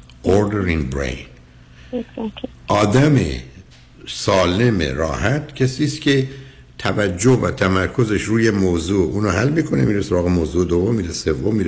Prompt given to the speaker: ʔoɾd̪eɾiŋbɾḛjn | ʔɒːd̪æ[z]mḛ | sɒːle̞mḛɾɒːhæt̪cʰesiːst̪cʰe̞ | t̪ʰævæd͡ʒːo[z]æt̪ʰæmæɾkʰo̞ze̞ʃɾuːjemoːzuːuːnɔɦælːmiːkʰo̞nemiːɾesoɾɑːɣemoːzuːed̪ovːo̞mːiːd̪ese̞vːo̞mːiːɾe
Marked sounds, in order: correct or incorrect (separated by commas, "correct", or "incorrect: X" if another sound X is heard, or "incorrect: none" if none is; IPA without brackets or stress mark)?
incorrect: none, incorrect: v